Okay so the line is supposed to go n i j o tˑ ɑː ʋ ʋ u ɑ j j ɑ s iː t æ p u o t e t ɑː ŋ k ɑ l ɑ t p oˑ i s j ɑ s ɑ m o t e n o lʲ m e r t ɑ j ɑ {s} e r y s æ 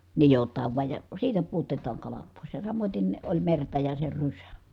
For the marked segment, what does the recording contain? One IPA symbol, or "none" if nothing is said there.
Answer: s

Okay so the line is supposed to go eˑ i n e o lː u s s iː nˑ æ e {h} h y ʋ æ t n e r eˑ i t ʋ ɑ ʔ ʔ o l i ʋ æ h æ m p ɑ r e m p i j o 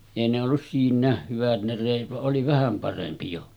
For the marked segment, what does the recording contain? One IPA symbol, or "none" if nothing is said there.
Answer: h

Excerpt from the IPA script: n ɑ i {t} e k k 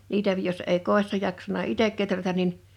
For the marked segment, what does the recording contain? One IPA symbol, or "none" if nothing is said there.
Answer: t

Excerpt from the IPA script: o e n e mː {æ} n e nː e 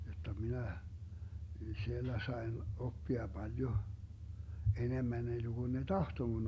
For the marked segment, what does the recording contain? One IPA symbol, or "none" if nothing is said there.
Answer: æ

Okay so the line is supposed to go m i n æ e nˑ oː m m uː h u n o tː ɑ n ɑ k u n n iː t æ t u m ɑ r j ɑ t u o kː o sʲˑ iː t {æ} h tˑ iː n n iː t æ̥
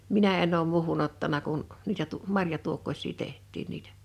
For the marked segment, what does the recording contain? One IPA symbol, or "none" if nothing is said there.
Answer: e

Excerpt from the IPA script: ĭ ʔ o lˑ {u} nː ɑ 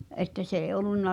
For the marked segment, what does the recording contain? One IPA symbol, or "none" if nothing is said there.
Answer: u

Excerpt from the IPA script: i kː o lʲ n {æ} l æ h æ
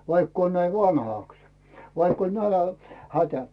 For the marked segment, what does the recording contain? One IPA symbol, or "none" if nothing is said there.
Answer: æ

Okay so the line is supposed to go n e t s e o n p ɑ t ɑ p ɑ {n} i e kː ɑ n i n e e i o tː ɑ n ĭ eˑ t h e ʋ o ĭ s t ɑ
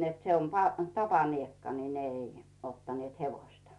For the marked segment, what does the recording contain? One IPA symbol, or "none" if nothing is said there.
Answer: n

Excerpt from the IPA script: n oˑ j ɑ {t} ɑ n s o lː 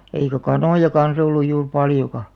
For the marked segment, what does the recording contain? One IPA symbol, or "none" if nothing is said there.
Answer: k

